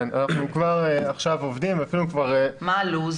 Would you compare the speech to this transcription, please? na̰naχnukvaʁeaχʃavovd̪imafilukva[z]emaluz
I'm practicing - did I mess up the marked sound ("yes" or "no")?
yes